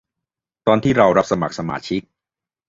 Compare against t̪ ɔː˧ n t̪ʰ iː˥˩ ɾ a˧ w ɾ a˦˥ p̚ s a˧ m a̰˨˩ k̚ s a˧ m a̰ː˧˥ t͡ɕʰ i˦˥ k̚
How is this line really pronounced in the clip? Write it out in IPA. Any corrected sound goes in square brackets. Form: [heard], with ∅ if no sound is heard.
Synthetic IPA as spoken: t̪ ɔː˧ n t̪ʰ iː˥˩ ɾ a˧ w ɾ a˦˥ p̚ s a˧ m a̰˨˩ k̚ s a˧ m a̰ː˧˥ t͡ɕʰ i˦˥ k̚